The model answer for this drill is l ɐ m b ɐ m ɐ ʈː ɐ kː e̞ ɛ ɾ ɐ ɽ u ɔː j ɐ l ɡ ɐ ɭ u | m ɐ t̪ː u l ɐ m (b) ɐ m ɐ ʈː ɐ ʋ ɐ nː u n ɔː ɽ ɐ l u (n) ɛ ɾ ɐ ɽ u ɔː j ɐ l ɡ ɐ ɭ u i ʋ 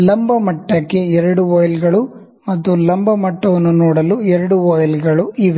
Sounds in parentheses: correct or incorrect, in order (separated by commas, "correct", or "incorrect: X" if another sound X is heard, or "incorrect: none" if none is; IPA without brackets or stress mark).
correct, incorrect: none